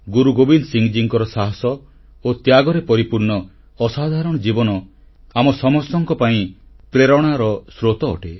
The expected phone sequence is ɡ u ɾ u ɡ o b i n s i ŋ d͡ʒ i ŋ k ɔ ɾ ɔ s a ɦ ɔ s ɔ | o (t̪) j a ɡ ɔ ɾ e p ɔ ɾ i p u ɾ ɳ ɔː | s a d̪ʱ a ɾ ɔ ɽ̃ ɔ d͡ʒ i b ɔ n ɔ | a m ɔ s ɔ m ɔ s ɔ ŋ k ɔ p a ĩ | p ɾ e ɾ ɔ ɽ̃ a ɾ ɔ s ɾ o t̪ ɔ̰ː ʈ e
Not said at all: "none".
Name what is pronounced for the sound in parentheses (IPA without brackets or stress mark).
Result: t̪